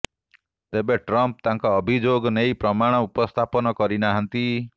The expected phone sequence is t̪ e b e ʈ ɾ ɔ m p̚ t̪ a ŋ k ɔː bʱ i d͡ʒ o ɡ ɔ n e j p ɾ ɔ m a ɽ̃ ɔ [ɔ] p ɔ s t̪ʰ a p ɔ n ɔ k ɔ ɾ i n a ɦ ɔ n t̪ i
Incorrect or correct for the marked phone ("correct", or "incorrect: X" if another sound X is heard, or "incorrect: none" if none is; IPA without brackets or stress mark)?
incorrect: u